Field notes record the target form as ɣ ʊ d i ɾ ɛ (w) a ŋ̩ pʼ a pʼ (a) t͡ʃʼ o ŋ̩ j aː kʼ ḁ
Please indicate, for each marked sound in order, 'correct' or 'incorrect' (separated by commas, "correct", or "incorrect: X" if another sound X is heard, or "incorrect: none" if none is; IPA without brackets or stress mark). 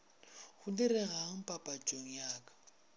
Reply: incorrect: ɣ, correct